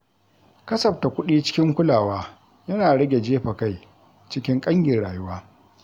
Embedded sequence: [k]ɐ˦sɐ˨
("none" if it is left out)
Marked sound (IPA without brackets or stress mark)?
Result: k